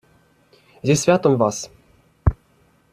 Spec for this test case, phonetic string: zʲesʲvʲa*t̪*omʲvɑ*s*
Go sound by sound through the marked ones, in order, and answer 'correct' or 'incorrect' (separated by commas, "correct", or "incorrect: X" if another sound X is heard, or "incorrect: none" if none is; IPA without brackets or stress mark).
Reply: correct, correct